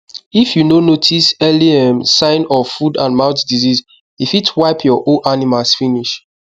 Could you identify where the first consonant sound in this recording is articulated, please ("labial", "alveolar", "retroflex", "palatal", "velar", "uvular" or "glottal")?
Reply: labial